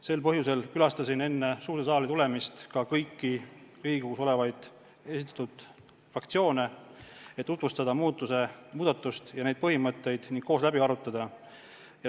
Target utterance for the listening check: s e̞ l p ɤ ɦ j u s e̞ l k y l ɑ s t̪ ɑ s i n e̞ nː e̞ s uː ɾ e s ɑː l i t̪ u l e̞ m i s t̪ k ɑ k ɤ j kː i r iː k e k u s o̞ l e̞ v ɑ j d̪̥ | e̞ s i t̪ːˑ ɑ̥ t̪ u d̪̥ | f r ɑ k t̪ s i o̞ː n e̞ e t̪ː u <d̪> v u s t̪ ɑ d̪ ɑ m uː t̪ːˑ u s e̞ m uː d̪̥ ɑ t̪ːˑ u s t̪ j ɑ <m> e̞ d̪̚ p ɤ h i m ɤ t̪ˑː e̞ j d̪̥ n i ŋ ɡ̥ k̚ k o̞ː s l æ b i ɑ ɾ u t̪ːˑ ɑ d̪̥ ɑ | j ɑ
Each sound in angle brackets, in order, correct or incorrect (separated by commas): incorrect, incorrect